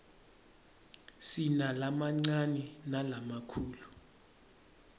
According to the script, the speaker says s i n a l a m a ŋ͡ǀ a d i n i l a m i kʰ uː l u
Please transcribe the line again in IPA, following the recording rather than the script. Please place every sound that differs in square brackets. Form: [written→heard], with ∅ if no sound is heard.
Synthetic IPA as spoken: s i n a l a m a ŋ͡ǀ a [d→n] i n [i→a] l a m [i→a] kʰ uː l u